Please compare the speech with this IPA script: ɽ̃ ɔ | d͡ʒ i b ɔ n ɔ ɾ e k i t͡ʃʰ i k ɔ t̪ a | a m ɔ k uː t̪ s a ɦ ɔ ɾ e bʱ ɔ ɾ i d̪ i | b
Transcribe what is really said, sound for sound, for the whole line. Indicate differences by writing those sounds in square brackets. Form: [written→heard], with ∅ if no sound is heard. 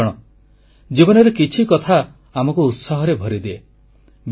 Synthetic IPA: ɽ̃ ɔ | d͡ʒ i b ɔ n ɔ ɾ e k i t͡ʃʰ i k ɔ [t̪→t̪ʰ] a | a m ɔ k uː t̪ s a ɦ ɔ ɾ e bʱ ɔ ɾ i d̪ [i→e] | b